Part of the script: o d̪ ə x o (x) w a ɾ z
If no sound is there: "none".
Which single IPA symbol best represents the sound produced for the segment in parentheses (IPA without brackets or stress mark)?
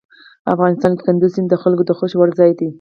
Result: ʃ